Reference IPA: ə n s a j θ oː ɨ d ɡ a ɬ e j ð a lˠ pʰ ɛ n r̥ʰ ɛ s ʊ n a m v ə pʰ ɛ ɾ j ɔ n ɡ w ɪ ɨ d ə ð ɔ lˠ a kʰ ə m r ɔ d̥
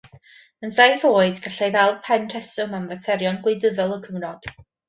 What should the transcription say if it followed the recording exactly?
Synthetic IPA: ə n s a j θ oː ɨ d ɡ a ɬ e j ð a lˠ pʰ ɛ n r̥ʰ ɛ s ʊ m a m v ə tʰ ɛ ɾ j ɔ n ɡ w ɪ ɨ d ə ð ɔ lˠ ə kʰ ə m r ɔ d̥